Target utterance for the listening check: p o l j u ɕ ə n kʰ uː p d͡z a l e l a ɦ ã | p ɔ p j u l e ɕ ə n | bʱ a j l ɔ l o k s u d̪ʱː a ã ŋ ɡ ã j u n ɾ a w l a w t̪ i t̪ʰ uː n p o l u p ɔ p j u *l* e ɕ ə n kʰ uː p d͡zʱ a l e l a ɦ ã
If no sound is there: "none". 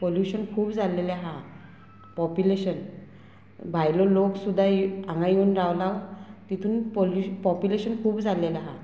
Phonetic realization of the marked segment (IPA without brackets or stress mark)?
l